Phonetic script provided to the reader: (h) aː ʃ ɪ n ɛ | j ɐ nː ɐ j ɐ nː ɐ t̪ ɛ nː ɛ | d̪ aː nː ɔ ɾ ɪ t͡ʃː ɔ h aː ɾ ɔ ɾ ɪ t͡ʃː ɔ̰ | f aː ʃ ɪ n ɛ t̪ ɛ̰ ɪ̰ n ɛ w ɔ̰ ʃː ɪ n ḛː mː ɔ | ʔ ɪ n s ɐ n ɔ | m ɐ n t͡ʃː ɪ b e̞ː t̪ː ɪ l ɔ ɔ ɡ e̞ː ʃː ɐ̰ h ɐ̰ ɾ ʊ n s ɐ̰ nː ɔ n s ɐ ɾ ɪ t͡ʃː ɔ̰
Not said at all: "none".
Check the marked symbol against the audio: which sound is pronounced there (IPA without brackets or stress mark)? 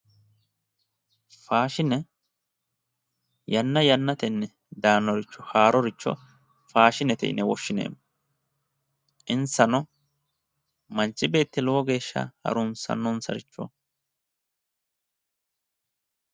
f